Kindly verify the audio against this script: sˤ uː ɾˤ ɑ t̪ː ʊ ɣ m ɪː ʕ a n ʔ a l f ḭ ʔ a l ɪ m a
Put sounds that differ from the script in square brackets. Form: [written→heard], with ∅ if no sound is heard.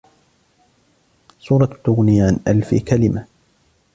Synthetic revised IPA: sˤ uː ɾˤ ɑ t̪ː ʊ ɣ [m→n] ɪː ʕ a n ʔ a l f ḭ [ʔ→k] a l ɪ m a

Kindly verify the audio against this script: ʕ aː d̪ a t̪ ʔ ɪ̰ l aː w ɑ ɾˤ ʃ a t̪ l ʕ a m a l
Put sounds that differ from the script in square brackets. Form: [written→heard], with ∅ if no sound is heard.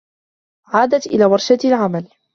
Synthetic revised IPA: ʕ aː d̪ a t̪ ʔ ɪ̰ l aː w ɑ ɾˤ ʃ a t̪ l ʕ a m a l

